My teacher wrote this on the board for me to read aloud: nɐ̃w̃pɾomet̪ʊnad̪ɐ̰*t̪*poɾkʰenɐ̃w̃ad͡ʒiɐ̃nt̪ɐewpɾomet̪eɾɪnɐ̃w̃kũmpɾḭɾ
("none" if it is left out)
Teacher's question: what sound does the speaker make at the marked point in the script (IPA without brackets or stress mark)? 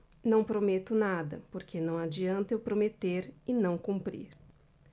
none